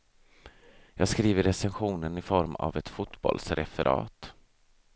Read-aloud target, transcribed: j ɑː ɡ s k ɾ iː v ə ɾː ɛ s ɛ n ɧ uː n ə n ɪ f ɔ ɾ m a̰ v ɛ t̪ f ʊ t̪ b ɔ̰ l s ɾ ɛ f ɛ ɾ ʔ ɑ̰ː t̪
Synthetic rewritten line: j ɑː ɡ s k ɾ iː v ə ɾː ɛ s ɛ n ɧ uː n ə n ɪ f ɔ ɾ m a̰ v ɛ t̪ f ʊ t̪ b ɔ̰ l s ɾ ɛ f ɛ ɾ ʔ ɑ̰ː t̪